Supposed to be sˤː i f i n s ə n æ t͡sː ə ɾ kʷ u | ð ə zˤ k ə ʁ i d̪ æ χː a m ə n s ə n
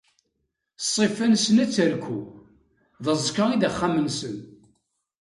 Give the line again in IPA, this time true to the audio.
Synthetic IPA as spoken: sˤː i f æ n s ə n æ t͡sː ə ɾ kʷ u | ð ə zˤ k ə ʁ i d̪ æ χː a m ə n s ə n